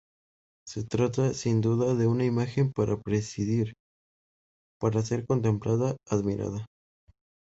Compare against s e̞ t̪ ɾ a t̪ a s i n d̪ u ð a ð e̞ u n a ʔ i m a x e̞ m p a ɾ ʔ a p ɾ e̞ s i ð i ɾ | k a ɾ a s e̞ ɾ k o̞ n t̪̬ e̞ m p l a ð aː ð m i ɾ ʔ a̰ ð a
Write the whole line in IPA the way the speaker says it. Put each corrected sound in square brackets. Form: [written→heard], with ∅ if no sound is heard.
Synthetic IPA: s e̞ t̪ ɾ a t̪ a s i n d̪ u ð a ð e̞ u n a [ʔ→∅] i m a x e̞ m p a ɾ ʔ a p ɾ e̞ s i ð i ɾ | [k→p] a ɾ a s e̞ ɾ k o̞ n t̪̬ e̞ m p l a ð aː ð m i ɾ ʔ a̰ ð a